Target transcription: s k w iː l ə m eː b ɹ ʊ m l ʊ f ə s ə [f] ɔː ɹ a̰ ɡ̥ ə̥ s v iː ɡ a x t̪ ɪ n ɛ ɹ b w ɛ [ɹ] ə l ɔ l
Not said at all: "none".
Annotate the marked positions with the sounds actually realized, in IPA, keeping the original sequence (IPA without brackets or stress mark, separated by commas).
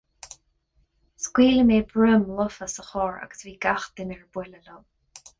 x, l